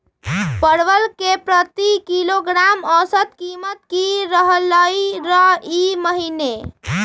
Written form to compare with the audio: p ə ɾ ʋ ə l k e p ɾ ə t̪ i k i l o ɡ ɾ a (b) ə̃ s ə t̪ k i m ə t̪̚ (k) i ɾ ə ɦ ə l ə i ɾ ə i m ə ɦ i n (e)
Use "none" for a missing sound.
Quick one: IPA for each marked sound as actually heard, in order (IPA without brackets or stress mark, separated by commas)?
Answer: m, k, e